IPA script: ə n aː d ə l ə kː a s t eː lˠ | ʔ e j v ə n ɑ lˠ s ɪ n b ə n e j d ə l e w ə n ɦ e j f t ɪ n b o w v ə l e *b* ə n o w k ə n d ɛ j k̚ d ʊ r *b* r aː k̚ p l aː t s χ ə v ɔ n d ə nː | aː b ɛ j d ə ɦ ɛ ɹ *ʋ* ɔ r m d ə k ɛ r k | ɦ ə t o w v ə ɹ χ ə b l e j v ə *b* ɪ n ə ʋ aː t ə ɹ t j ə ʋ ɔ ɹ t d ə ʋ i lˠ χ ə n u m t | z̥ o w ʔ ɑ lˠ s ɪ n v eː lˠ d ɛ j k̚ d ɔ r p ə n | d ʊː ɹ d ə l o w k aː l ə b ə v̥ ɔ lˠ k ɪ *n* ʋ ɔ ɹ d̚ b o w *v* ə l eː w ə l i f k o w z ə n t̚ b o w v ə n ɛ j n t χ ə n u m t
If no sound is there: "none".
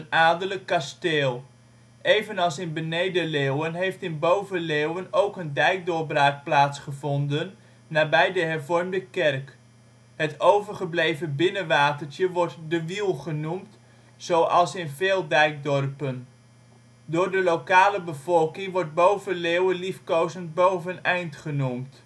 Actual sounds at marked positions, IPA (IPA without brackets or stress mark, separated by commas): w, b, v, b, ŋ, v